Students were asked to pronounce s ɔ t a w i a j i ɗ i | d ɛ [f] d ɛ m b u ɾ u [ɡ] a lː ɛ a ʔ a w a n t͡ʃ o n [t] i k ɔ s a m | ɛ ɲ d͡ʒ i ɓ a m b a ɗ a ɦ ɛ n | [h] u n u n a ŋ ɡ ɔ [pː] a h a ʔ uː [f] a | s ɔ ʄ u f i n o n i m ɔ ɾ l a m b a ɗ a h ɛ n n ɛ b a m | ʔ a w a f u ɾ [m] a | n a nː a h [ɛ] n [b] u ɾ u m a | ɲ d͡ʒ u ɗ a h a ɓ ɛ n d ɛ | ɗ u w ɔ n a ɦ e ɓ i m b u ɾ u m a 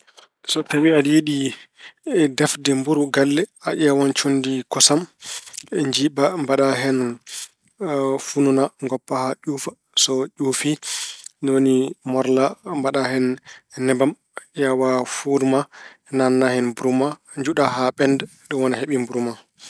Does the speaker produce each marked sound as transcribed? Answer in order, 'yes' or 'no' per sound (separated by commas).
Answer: yes, yes, no, no, yes, yes, yes, yes, yes